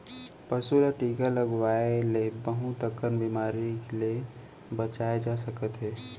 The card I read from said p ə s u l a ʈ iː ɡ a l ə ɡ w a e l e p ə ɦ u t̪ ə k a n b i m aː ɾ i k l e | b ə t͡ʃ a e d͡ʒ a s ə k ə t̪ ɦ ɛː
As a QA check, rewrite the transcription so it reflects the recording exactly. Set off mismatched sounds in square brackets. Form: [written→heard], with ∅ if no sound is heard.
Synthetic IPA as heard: p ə s u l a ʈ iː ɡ a l ə ɡ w a e l e [p→b] ə ɦ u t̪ ə k [a→ə] n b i m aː ɾ i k l e | b ə t͡ʃ a e d͡ʒ a s ə k ə t̪ ɦ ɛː